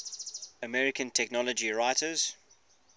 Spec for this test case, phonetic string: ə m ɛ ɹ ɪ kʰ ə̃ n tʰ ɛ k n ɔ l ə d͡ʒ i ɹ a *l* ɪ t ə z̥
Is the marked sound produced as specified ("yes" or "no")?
no